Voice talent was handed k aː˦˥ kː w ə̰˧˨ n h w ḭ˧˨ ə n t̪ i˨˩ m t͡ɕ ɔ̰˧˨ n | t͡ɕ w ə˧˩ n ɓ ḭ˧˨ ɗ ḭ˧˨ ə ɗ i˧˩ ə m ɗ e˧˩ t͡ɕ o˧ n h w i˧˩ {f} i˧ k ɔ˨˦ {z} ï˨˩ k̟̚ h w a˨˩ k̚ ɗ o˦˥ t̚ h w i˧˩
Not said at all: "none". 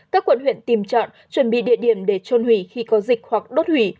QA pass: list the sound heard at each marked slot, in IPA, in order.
x, z

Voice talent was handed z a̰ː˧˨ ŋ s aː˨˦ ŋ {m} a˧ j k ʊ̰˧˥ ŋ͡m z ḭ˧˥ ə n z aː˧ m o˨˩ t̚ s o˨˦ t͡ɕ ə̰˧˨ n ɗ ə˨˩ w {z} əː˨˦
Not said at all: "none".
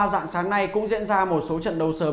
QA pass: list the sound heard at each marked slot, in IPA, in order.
n, s

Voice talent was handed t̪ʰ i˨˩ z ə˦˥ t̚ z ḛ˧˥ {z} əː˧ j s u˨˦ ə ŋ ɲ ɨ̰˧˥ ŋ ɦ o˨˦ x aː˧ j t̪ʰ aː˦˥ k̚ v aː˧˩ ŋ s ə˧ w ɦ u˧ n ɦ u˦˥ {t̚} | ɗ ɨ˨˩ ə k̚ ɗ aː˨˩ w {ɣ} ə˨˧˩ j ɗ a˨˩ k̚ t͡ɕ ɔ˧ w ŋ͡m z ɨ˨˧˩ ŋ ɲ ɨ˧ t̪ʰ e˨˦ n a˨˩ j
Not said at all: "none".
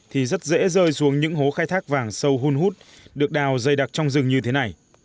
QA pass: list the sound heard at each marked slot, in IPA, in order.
z, t̚, z

